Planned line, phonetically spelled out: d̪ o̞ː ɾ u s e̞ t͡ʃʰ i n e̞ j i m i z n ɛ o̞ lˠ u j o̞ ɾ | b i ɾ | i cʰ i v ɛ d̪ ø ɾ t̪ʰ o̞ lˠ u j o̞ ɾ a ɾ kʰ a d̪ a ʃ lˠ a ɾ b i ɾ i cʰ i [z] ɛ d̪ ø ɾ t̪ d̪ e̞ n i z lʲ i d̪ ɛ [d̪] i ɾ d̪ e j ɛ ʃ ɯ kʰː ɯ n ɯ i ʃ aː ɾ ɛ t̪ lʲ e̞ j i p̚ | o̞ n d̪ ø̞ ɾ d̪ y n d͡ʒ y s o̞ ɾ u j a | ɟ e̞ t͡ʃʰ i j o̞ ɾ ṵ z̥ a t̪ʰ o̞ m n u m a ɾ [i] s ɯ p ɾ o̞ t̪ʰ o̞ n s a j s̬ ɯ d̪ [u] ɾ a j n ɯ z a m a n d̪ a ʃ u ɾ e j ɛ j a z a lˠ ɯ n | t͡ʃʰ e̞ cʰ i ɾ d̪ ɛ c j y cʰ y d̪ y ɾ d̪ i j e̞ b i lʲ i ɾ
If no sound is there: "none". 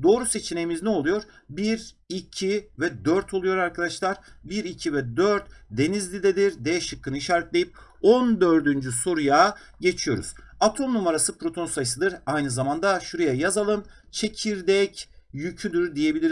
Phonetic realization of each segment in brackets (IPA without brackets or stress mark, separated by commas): v, d̪, a, ɯ